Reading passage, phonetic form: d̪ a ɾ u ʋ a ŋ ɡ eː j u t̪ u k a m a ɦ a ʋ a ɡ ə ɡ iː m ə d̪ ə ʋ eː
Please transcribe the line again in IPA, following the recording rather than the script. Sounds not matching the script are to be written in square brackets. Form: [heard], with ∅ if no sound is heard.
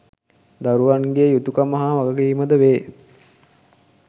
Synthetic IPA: d̪ a ɾ u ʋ a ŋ ɡ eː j u t̪ u k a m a ɦ a ʋ a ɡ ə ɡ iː m ə d̪ ə ʋ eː

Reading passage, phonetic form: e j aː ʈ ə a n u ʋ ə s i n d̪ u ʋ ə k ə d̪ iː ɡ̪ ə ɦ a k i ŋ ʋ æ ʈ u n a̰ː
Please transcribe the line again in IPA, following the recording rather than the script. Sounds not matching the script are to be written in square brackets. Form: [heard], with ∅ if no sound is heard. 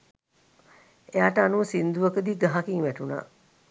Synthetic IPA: e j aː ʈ ə a n u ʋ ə s i n d̪ u ʋ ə k ə d̪ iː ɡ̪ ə ɦ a k i ŋ ʋ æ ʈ u n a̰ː

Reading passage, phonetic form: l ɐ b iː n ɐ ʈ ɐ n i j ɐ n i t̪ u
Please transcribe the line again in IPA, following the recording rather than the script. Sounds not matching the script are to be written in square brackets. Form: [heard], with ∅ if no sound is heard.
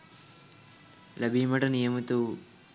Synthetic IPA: l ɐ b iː [m] ɐ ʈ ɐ n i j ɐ [m] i t̪ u

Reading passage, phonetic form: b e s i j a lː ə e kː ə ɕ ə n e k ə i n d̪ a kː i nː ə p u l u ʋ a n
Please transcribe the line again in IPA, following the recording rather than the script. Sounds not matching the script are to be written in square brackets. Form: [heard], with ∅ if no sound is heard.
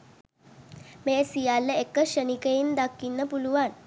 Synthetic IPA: [m] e s i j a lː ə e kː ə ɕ ə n [i] k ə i n d̪ a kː i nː ə p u l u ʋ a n

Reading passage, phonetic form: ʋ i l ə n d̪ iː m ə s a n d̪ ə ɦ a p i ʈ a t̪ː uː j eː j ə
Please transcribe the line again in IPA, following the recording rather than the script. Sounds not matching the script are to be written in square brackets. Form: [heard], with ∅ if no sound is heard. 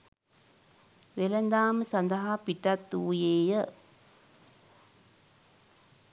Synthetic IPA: ʋ [e] l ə n d̪ [aː] m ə s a n d̪ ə ɦ a p i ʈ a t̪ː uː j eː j ə

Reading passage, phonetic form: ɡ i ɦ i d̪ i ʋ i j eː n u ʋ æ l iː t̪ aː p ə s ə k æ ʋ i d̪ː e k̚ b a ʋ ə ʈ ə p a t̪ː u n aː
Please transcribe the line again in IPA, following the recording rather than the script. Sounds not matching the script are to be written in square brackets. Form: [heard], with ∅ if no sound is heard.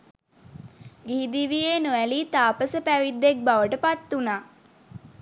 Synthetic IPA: ɡ i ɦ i d̪ i ʋ i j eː n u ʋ æ l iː t̪ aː p ə s ə [p] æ ʋ i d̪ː e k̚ b a ʋ ə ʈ ə p a t̪ː u n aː

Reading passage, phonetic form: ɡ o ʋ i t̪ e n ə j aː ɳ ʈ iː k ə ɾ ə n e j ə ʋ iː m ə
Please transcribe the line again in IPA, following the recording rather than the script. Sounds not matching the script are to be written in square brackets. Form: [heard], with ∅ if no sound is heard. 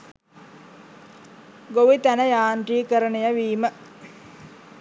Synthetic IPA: ɡ o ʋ i t̪ [æ] n ə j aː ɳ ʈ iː k ə ɾ ə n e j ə ʋ iː m ə

